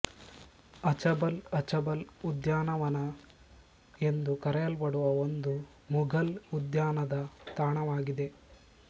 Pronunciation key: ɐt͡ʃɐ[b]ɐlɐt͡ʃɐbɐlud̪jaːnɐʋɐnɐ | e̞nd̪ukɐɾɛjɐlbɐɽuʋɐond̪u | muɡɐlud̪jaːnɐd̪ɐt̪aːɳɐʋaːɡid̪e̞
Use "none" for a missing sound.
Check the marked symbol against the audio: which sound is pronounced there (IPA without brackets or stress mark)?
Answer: b